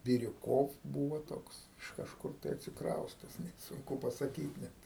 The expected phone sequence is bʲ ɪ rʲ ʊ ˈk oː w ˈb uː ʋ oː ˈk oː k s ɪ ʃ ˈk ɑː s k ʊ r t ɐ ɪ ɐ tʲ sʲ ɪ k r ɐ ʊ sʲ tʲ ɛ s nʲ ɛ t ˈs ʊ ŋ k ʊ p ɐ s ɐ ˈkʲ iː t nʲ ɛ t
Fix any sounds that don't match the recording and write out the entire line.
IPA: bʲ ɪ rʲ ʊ ˈk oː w ˈb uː ʋ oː ˈt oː k s ɪ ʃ ˈk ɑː ʃ k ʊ r t ɐ ɪ ɐ tʲ sʲ ɪ k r ɐ ʊ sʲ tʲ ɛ s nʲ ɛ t ˈs ʊ ŋ k ʊ p ɐ s ɐ ˈkʲ iː t nʲ ɛ t